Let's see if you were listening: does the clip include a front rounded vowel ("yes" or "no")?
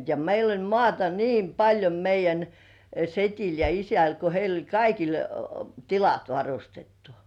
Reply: no